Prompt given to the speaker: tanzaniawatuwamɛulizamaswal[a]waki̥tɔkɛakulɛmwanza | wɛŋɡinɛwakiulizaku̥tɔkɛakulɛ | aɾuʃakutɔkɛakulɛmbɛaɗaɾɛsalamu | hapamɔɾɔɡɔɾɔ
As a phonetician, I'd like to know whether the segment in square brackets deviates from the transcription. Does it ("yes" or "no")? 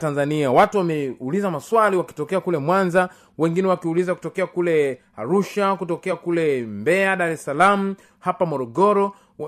yes